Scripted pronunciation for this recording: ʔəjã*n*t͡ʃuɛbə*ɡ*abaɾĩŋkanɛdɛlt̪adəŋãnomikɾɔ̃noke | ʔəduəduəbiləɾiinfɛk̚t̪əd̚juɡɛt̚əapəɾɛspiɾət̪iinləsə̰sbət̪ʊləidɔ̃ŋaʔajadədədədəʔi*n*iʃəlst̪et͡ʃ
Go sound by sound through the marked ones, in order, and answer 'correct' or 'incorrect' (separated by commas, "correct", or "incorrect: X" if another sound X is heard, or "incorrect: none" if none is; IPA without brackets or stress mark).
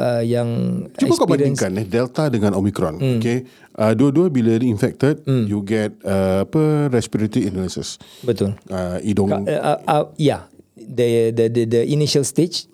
incorrect: ŋ, incorrect: k, correct